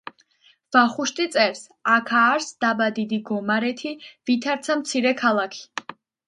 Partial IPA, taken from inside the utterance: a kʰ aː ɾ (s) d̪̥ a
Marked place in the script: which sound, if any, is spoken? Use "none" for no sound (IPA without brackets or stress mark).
s